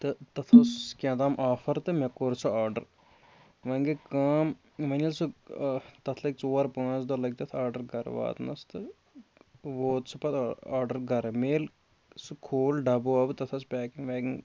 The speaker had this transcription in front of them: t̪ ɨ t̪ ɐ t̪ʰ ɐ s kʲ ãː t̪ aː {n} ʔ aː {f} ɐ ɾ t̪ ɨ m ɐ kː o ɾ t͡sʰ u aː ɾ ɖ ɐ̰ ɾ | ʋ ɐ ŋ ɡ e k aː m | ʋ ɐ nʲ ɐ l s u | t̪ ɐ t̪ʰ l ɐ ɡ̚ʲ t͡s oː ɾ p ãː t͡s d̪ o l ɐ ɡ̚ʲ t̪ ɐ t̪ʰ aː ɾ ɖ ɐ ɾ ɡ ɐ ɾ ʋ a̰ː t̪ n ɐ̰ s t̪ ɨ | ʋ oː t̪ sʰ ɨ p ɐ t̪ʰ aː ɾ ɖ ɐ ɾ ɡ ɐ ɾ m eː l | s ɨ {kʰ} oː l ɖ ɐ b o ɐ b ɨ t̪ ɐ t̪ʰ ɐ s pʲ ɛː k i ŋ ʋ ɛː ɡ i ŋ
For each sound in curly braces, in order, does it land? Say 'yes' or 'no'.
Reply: no, yes, yes

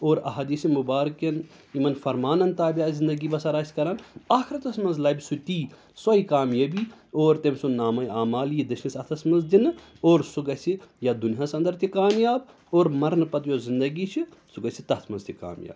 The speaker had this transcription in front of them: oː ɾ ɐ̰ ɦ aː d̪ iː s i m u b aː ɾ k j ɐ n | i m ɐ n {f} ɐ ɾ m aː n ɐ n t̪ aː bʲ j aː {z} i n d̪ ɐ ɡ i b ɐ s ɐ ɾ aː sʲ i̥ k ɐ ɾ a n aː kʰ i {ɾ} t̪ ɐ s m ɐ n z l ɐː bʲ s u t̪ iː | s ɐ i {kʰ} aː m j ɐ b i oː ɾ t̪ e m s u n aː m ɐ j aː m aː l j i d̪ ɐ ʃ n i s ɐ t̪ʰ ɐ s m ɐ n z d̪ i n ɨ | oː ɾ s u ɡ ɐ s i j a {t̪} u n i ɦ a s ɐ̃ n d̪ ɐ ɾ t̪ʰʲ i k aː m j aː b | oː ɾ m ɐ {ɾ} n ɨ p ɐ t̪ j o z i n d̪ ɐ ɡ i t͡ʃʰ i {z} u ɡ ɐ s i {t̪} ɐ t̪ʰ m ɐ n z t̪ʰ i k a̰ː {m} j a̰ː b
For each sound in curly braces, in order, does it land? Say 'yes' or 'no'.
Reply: yes, yes, yes, no, no, yes, no, yes, yes

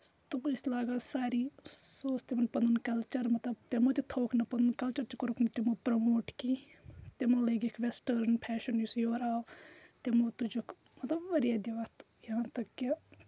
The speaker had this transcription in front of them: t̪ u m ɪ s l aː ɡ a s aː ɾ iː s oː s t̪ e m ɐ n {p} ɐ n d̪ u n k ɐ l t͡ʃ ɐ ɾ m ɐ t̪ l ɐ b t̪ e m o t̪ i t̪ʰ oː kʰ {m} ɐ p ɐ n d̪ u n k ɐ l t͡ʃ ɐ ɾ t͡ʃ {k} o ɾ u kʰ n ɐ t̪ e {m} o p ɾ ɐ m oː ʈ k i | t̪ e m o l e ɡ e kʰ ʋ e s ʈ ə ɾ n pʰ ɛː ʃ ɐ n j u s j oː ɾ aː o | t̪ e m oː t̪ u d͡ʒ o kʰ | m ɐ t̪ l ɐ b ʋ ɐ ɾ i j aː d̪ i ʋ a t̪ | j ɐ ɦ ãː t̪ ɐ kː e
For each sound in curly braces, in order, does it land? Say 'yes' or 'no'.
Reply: yes, no, yes, yes

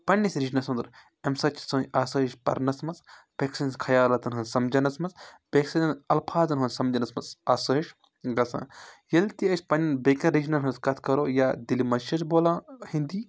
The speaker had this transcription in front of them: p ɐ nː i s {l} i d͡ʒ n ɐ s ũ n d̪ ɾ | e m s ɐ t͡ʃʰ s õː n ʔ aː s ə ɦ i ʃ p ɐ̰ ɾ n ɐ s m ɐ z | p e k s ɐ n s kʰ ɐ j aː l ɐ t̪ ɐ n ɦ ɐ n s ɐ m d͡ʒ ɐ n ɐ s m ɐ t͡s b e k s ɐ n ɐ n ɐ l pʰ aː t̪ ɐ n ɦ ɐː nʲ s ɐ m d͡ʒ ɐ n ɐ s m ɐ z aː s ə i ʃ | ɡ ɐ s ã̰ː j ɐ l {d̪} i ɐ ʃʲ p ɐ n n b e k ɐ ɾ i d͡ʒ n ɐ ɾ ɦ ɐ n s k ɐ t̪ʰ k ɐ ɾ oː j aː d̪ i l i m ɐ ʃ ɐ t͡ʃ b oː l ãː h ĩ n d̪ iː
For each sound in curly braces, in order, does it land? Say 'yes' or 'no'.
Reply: no, no

